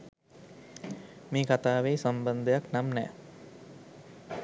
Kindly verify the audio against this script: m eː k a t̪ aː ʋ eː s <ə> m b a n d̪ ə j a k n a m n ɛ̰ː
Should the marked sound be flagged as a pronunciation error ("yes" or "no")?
yes